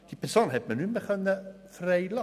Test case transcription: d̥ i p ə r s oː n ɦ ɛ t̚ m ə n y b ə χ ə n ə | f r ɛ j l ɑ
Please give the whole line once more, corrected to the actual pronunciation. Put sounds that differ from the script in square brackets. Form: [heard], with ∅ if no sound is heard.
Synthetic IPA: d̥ i p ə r s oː n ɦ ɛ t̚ m ə n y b ə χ ə n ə | f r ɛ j l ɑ